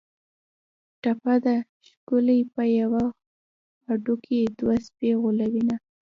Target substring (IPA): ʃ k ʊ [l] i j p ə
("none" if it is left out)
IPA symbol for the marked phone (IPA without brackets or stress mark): l